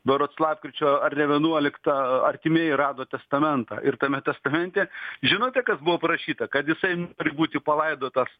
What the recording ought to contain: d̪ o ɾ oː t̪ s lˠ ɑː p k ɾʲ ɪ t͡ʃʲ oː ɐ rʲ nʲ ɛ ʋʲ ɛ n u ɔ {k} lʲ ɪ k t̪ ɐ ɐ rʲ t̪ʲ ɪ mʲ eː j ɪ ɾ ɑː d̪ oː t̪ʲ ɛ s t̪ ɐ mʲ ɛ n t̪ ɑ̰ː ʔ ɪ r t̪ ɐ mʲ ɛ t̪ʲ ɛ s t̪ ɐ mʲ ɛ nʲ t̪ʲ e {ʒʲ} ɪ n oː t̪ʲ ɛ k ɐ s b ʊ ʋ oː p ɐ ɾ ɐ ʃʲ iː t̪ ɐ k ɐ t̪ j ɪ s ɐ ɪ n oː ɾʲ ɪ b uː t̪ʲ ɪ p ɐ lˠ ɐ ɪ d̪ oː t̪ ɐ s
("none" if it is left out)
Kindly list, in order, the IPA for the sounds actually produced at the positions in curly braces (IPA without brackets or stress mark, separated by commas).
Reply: none, ʒʲ